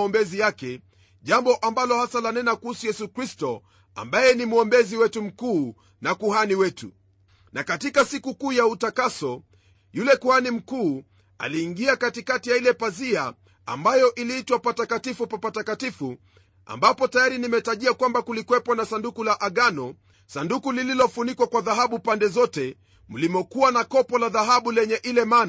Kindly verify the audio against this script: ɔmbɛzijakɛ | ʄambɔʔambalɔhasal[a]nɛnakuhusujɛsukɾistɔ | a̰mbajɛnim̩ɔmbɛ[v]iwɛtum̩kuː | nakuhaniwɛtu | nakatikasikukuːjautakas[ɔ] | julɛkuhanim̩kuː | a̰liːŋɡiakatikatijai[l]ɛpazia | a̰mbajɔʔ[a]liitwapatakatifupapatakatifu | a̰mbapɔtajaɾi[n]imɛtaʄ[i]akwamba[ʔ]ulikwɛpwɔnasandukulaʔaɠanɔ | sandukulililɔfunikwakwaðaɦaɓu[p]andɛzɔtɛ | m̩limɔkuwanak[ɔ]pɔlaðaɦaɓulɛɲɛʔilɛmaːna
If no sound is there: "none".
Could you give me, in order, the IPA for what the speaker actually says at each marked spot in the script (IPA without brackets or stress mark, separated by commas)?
a, z, ɔ, l, i, n, i, k, p, ɔ